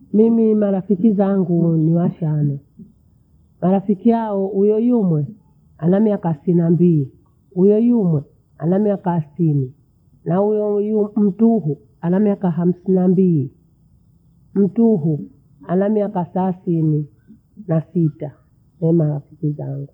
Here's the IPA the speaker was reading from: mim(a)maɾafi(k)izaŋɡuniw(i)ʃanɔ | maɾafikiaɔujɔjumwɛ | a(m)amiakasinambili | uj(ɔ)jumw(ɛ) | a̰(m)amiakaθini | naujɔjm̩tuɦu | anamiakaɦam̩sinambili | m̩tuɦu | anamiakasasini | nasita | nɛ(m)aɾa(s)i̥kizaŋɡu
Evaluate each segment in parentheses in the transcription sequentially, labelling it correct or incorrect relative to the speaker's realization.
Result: incorrect, correct, incorrect, incorrect, correct, correct, incorrect, correct, incorrect

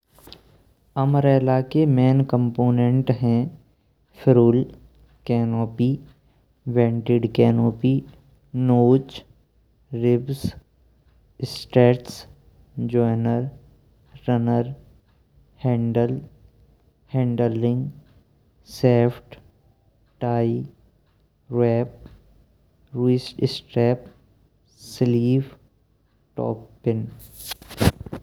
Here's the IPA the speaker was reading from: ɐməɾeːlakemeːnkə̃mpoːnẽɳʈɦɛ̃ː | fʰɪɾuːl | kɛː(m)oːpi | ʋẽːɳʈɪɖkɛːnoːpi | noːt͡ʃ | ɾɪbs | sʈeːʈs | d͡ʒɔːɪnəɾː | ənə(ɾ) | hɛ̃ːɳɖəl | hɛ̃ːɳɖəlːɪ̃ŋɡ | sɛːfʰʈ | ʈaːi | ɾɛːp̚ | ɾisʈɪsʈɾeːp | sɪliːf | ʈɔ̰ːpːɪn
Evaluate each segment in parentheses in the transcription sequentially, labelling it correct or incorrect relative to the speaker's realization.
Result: incorrect, correct

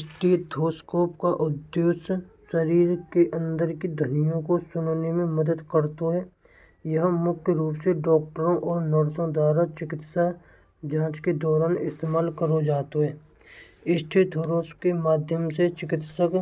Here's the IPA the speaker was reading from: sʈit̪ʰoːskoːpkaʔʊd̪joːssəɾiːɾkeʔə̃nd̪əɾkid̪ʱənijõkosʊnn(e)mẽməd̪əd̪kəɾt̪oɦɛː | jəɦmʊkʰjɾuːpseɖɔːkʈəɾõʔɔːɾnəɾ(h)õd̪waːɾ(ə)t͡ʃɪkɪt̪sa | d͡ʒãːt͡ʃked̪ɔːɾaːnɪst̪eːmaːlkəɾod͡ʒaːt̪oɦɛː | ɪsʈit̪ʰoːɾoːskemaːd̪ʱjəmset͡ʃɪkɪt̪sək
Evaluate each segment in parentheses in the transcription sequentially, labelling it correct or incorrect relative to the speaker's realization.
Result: correct, incorrect, incorrect

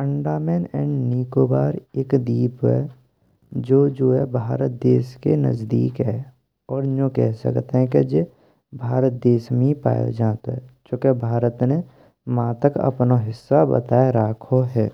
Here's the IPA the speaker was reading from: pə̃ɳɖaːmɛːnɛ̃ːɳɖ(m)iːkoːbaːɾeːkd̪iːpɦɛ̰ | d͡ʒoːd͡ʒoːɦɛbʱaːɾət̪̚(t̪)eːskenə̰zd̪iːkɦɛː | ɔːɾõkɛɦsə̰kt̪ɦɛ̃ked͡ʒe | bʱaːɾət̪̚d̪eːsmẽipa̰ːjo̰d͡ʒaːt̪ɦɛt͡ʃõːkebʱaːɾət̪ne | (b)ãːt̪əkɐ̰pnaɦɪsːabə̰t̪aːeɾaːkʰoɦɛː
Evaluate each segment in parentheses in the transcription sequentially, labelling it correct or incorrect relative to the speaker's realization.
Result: incorrect, incorrect, incorrect

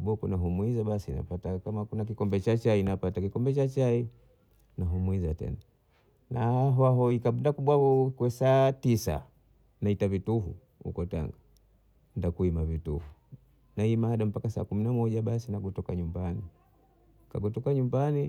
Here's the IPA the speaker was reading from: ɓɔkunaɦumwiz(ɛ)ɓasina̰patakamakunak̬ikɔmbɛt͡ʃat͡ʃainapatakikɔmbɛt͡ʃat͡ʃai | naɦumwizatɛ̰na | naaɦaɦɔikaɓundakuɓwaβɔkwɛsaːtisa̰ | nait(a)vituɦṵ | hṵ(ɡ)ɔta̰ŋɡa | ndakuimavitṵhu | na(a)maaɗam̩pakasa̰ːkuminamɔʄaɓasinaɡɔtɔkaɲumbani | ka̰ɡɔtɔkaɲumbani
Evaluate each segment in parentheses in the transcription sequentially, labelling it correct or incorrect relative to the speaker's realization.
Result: incorrect, correct, incorrect, incorrect

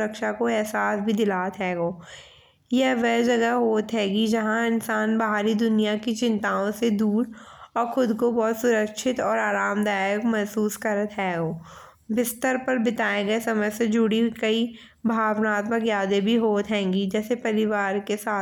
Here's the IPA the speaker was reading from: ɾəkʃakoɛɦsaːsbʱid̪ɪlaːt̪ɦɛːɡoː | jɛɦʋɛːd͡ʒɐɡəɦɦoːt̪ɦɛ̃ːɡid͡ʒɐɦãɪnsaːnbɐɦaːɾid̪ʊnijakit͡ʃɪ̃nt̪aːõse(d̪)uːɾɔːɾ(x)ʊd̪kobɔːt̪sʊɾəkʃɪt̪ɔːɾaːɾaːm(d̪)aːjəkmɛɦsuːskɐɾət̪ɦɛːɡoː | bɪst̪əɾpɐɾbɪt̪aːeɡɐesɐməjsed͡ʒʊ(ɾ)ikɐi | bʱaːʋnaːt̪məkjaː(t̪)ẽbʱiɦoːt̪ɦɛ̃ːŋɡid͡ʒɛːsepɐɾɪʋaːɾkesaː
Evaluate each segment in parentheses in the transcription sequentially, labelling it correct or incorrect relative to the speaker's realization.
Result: correct, correct, correct, incorrect, incorrect

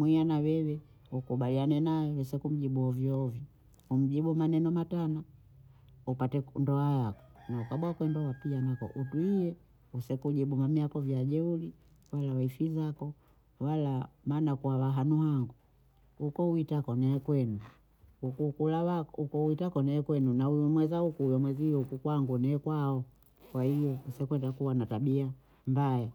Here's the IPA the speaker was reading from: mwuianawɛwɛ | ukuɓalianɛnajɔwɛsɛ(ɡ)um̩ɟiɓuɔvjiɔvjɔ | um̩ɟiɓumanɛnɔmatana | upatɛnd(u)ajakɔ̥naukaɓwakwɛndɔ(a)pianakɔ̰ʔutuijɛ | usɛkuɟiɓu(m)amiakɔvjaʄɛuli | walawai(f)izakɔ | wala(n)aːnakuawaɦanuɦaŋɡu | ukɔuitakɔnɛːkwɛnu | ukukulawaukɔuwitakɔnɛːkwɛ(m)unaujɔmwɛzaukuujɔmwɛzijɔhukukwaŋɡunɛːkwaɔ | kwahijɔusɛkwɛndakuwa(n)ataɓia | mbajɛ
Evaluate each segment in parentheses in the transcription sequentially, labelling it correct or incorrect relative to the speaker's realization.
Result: incorrect, incorrect, correct, correct, correct, incorrect, incorrect, correct

